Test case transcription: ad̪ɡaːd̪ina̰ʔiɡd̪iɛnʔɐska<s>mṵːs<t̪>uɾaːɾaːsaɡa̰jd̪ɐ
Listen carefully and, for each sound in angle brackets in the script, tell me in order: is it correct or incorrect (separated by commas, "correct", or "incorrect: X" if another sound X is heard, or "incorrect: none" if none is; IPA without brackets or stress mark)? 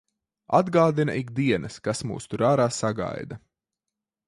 correct, correct